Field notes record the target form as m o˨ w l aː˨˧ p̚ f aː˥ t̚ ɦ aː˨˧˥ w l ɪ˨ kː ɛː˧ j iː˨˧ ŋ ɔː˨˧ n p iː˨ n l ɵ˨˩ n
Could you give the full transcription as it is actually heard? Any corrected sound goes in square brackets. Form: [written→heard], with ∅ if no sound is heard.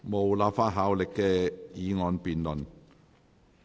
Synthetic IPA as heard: m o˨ w l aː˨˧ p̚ f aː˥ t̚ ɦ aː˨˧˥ w l ɪ˨ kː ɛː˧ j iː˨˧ ŋ ɔː˨˧ n p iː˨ n l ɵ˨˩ n